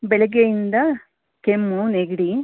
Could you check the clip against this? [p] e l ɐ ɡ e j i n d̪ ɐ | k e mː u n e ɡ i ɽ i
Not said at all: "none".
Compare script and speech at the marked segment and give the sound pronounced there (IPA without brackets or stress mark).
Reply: b